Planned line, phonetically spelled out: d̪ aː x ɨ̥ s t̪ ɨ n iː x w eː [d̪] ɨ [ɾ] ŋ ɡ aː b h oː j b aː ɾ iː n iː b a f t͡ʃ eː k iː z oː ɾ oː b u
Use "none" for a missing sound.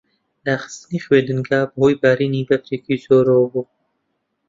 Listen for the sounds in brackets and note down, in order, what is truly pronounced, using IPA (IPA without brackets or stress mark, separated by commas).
d̪, none